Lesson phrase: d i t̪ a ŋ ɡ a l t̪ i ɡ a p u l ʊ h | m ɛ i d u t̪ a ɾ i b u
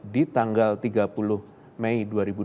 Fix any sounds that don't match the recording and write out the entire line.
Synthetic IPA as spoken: d i t̪ a ŋ ɡ a l t̪ i ɡ a p u l ʊ h | m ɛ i d u a ɾ i b u